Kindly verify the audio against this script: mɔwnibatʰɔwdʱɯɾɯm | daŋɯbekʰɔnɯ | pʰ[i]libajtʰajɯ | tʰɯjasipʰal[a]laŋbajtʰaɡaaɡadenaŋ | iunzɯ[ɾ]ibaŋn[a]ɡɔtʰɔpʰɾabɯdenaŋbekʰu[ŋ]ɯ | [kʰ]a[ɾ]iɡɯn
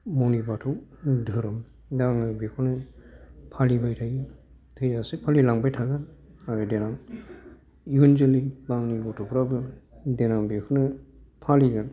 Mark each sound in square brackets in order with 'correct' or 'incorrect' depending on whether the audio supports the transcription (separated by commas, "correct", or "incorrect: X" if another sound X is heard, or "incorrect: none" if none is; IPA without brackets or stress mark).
incorrect: a, incorrect: i, incorrect: l, incorrect: i, incorrect: n, incorrect: pʰ, incorrect: l